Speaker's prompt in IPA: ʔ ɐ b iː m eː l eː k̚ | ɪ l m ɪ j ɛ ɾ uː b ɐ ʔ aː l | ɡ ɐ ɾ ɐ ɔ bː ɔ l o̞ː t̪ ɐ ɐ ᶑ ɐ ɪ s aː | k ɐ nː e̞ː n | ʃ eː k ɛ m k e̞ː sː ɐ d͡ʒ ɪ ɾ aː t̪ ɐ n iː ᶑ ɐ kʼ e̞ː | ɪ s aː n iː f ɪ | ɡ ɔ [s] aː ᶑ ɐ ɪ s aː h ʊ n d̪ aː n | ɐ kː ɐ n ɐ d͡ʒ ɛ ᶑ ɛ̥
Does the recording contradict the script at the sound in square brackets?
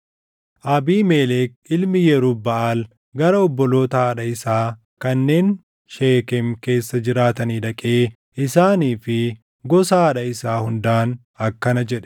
no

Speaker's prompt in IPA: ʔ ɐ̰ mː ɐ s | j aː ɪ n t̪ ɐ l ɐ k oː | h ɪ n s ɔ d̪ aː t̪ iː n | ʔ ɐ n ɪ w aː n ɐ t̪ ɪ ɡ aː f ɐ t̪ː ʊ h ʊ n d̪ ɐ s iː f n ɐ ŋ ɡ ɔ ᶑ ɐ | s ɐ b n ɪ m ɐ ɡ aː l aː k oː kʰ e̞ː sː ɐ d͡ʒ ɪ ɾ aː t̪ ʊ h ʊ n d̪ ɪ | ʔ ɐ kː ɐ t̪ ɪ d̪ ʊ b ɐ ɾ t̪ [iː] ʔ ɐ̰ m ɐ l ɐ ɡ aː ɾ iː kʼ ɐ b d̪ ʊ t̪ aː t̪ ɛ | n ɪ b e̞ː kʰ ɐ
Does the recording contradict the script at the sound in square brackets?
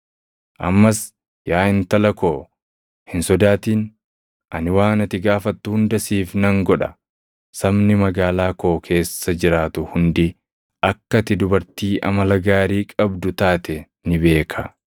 no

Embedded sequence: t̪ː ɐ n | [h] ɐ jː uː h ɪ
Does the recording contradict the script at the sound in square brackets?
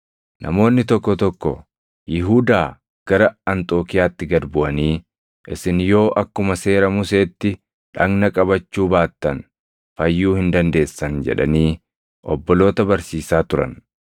yes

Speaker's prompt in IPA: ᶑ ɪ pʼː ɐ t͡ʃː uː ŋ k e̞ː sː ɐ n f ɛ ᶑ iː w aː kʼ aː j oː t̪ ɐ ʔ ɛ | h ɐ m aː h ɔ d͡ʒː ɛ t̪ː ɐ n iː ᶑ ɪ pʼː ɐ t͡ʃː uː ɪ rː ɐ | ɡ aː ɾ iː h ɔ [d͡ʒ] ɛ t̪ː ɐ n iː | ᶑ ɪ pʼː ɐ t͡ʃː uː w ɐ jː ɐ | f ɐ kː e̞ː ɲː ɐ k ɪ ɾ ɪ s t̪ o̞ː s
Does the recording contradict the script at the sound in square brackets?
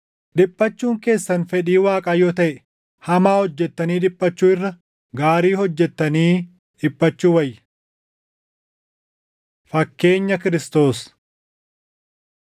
yes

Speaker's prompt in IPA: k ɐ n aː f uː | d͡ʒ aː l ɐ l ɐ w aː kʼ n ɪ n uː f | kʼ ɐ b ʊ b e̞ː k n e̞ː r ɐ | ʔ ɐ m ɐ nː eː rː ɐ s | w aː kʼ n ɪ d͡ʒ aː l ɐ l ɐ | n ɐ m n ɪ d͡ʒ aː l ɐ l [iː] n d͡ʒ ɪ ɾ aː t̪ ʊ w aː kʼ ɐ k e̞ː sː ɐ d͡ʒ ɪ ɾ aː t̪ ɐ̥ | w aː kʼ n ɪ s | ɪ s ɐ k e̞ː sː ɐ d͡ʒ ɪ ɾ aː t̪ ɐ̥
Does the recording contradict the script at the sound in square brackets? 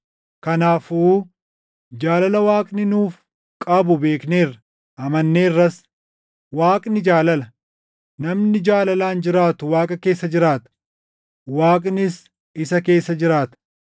yes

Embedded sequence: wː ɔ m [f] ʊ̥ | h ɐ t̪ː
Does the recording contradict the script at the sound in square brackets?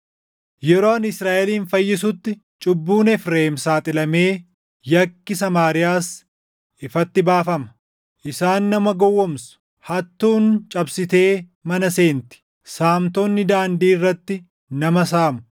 yes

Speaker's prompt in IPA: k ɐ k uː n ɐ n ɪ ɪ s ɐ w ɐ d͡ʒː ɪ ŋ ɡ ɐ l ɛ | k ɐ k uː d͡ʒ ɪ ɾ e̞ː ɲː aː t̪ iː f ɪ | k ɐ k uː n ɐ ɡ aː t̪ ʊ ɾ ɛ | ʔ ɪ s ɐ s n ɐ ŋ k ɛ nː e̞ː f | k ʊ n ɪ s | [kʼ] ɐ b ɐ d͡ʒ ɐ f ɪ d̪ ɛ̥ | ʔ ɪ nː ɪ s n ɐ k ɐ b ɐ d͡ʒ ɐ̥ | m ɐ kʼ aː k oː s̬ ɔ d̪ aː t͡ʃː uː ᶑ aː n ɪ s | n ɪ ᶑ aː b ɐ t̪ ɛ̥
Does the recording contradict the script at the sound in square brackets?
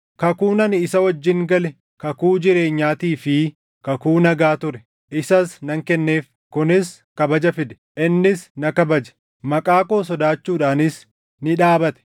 yes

